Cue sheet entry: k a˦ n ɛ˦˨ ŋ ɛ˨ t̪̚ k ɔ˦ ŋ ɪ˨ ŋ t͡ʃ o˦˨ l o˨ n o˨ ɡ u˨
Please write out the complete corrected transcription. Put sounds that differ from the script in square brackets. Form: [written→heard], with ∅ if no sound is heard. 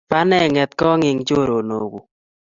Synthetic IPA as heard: [k→p] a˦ n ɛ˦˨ ŋ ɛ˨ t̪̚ k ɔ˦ ŋ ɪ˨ ŋ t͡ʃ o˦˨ [l→ɾ] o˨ n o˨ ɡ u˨